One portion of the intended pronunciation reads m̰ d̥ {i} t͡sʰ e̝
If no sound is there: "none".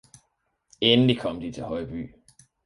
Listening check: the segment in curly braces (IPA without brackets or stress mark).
i